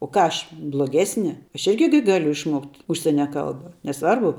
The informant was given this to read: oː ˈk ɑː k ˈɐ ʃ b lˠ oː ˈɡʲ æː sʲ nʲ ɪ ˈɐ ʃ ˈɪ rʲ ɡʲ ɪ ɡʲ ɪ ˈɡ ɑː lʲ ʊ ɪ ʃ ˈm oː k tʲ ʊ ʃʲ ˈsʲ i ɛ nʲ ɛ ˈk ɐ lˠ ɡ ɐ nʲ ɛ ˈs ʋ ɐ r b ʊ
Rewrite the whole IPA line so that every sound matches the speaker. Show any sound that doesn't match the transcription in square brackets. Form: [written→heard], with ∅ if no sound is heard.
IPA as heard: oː ˈk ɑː [k→∅] ˈɐ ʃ b lˠ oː ˈɡʲ æː sʲ nʲ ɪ ˈɐ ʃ ˈɪ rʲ ɡʲ ɪ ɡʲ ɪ ˈɡ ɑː lʲ ʊ ɪ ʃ ˈm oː k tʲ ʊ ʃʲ ˈsʲ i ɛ nʲ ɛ ˈk ɐ lˠ [ɡ→b] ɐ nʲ ɛ ˈs ʋ ɐ r b ʊ